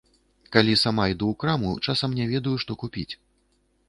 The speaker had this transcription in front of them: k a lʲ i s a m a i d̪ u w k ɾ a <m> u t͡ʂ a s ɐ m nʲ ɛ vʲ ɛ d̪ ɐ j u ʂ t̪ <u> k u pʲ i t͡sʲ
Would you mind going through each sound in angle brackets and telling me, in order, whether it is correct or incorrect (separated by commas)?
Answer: correct, incorrect